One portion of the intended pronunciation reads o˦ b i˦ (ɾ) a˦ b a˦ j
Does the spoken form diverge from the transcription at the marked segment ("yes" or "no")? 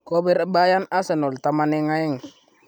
no